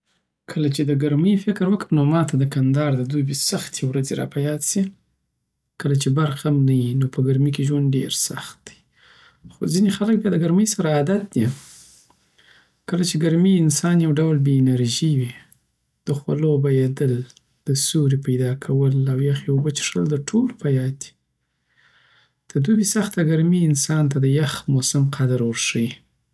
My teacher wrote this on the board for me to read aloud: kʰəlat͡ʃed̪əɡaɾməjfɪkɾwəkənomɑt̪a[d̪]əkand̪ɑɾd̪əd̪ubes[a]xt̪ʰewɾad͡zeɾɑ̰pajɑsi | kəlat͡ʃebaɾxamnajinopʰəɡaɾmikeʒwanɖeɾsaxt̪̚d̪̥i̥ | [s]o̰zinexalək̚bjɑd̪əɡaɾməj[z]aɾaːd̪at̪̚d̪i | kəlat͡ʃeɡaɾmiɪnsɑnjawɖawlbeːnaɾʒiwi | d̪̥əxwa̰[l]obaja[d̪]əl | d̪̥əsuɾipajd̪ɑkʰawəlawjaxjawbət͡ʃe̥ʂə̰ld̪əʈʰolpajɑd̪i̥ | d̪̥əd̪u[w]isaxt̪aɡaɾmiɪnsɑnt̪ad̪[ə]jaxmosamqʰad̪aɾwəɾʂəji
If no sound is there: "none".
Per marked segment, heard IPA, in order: d̪, a, x, s, l, d̪, b, ə

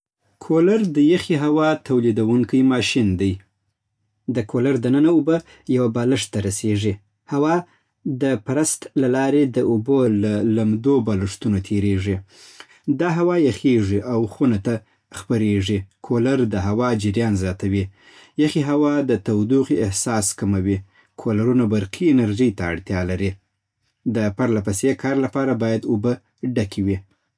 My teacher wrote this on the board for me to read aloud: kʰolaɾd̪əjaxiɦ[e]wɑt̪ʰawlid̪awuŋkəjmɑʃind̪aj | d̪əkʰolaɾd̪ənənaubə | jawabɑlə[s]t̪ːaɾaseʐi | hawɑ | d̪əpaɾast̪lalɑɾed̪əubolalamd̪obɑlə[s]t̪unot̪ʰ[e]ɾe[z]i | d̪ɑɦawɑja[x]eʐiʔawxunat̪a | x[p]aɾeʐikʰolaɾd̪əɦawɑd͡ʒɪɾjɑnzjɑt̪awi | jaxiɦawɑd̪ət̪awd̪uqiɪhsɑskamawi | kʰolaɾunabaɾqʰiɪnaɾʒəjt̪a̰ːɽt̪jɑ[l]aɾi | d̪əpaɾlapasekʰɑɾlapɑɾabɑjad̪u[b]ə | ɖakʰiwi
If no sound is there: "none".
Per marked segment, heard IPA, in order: a, ʂ, ʂ, e, ʐ, x, p, l, b

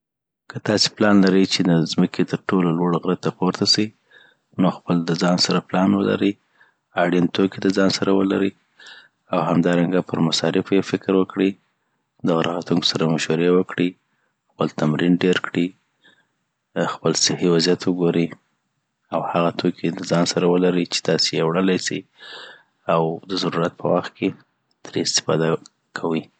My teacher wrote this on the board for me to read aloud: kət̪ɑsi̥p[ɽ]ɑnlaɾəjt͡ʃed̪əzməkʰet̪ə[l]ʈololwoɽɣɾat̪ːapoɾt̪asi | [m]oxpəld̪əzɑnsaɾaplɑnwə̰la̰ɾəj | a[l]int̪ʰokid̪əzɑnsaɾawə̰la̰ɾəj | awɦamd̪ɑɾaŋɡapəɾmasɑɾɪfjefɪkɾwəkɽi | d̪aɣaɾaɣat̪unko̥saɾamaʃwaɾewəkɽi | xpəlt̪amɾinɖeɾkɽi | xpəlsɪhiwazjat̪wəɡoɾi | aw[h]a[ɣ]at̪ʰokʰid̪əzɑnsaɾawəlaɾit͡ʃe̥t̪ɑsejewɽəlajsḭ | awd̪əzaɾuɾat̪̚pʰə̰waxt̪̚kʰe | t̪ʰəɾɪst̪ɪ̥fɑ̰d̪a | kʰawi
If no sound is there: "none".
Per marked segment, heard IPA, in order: l, ɾ, n, ɽ, h, ɣ

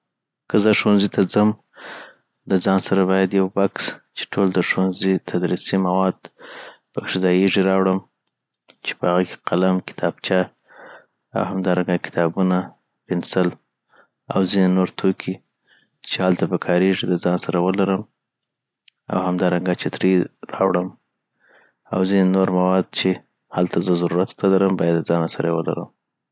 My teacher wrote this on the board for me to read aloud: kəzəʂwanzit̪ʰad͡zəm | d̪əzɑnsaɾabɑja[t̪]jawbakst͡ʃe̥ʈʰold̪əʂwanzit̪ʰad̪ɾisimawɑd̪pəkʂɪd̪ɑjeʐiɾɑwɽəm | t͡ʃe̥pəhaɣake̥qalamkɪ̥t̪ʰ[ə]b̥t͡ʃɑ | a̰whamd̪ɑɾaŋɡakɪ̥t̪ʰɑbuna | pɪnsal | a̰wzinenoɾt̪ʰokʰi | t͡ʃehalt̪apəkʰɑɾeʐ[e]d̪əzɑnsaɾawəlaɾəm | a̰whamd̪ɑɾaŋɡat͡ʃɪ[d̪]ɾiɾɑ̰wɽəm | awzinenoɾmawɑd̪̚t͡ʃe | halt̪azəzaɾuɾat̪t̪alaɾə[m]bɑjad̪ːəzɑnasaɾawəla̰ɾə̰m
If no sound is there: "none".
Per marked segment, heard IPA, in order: d̪, ɑ, i, t̪, m

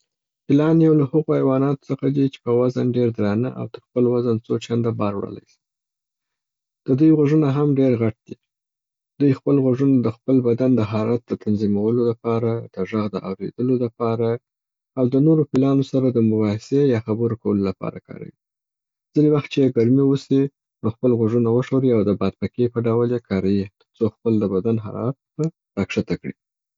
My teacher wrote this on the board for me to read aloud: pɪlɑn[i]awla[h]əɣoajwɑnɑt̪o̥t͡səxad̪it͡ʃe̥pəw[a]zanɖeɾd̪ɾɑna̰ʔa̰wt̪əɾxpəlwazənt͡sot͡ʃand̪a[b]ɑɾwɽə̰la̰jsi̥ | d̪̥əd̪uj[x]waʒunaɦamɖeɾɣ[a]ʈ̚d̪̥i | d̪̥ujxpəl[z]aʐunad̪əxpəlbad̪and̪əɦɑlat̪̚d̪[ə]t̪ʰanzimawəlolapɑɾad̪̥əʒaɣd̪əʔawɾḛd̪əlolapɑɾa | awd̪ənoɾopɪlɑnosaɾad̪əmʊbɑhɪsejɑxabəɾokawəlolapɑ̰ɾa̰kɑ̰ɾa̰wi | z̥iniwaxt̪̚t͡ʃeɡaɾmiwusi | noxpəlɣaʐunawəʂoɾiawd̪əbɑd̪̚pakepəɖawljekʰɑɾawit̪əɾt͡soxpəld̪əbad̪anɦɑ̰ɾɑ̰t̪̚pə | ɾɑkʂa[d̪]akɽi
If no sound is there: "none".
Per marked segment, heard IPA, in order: j, h, a, b, ɣ, a, ɣ, ə, t̪

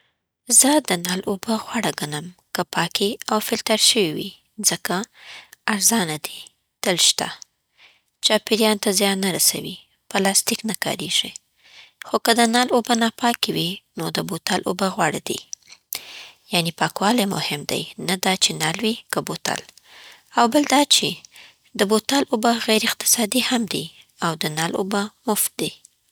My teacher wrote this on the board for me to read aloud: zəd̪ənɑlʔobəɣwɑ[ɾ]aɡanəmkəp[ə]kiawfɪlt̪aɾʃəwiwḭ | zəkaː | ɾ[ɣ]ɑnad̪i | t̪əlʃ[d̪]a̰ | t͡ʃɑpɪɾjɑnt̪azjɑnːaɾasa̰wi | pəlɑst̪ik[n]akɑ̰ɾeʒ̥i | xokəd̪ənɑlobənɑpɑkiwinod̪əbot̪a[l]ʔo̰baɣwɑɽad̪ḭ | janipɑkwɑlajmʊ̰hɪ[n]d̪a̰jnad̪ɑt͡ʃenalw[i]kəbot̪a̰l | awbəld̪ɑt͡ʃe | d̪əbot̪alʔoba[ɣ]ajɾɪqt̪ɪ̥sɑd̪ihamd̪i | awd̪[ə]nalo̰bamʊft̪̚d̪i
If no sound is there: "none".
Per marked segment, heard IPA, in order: ɽ, ɑ, z, t̪, n, l, m, i, ɣ, ə

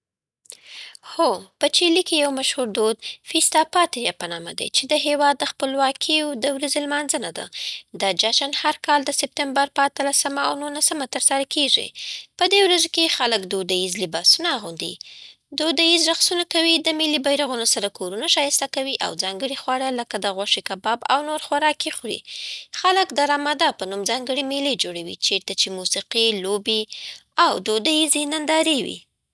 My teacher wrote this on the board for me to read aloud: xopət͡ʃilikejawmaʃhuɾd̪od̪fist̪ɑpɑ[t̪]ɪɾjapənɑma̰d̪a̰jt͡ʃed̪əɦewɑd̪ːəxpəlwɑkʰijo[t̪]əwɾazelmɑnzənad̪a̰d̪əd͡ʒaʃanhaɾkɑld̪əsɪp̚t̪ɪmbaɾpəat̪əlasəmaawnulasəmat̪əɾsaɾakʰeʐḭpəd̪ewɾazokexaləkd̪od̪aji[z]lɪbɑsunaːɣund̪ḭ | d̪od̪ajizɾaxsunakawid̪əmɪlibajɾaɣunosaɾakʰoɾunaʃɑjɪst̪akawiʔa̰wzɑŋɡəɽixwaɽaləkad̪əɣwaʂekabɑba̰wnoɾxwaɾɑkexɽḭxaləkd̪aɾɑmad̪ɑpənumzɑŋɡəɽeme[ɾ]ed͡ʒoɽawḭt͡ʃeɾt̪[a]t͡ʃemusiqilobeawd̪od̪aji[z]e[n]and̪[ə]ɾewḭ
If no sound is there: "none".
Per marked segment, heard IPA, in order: t̪, d̪, z, l, a, z, n, ɑ

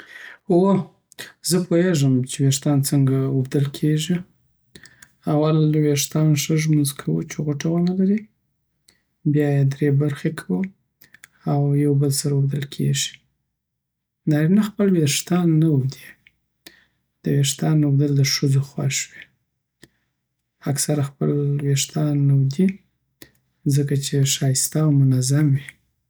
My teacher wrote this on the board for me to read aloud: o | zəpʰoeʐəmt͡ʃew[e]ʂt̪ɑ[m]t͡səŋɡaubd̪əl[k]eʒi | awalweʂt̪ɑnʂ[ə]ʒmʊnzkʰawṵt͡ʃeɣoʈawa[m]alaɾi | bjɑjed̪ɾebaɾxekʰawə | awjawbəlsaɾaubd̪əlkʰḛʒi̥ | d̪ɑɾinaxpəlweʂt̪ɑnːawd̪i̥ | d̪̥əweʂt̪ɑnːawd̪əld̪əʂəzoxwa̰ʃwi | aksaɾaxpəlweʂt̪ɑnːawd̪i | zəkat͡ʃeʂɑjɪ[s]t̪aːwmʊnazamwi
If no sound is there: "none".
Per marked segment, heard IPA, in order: e, n, kʰ, ə, n, s

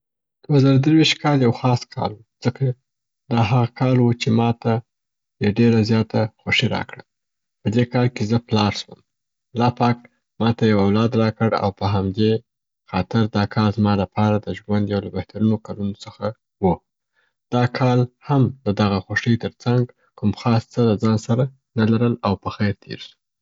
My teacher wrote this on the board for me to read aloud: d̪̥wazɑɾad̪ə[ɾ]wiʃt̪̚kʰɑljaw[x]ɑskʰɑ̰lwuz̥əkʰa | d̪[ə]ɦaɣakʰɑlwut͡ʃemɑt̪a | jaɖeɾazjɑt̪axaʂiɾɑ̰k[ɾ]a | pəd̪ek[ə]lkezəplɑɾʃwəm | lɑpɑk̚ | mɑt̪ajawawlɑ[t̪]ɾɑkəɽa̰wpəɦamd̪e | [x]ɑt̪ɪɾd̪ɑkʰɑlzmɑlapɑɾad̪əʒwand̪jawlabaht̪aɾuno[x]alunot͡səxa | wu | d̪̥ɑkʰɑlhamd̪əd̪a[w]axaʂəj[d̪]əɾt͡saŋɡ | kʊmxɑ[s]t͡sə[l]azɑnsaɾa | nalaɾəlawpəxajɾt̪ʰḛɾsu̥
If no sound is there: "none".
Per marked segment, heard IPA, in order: ɾ, x, ɑ, ɽ, ɑ, d̪, x, k, ɣ, t̪, s, l

